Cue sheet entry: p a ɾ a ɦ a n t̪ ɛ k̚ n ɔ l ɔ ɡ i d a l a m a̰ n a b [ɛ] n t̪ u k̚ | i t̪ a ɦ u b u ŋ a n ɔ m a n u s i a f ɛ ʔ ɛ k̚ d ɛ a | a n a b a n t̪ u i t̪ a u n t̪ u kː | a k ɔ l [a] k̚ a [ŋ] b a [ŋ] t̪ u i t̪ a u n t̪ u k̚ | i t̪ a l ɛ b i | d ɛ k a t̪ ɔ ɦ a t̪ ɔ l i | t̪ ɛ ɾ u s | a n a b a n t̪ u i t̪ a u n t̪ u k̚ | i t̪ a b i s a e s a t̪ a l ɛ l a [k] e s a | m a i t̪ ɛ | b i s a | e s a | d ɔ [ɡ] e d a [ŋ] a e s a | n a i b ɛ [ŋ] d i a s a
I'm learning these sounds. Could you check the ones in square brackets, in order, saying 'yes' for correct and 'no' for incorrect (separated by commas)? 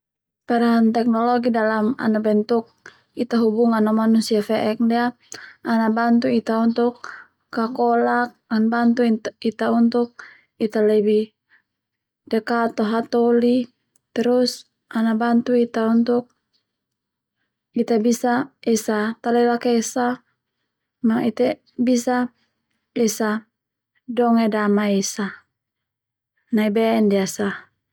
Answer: yes, yes, no, no, yes, no, no, no